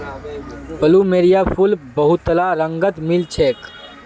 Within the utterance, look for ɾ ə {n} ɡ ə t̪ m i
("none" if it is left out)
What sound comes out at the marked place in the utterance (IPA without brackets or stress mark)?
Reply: ŋ